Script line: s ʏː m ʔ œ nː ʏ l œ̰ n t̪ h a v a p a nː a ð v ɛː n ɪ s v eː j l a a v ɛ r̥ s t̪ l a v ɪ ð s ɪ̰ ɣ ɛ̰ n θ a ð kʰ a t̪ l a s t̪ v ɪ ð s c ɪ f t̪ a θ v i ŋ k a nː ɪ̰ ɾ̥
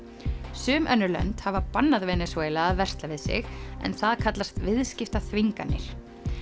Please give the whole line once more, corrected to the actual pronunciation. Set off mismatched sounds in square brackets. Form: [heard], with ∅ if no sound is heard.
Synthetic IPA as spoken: s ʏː m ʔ œ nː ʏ l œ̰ n t̪ h a v a p a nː a ð v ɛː n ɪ s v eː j l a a v ɛ r̥ s t̪ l a v ɪ ð s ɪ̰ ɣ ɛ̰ n θ a ð kʰ a t̪ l a s t̪ v ɪ ð s c ɪ f t̪ a θ v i ŋ k a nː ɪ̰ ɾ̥